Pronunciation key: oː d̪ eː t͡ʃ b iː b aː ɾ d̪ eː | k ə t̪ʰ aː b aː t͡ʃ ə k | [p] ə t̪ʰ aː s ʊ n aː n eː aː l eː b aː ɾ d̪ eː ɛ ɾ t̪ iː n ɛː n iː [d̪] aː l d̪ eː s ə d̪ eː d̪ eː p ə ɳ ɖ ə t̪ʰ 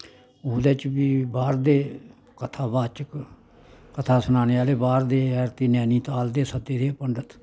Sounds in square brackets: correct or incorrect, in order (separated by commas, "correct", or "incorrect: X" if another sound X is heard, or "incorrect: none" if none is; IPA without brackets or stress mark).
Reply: incorrect: k, incorrect: t̪